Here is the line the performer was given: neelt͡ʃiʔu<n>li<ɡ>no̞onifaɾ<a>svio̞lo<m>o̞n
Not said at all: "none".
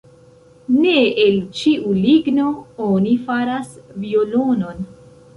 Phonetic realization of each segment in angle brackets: none, ɡ, a, n

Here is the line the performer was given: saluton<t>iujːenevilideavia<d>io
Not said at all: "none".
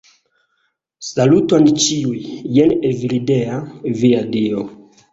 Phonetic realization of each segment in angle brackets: t͡ʃ, d

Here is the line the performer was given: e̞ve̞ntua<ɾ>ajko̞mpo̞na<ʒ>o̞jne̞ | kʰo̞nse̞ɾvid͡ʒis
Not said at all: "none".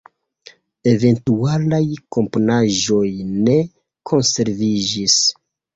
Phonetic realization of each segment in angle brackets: l, ʒ

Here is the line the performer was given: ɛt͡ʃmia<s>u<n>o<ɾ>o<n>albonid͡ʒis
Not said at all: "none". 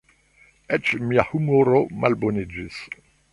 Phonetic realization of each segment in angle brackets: h, m, ɾ, m

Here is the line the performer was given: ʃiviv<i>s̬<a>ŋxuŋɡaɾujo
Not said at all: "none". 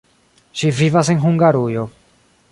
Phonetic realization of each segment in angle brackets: a, e

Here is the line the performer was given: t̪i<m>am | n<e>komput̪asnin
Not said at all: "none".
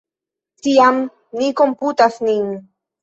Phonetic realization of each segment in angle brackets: none, i

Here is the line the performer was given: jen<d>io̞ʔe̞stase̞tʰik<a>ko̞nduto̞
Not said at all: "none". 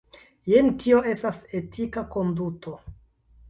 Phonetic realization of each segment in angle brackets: t, a

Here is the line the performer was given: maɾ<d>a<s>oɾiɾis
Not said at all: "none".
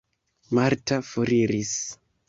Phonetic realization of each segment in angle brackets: t, f

